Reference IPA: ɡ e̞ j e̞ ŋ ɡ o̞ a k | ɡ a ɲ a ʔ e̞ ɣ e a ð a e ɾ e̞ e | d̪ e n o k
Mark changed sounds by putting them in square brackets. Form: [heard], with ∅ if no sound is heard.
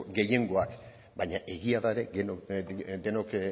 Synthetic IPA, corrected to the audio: ɡ e̞ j e̞ ŋ ɡ o̞ a k | [b] a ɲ a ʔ e̞ ɣ [i] a ð a e ɾ e̞ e | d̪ e n o k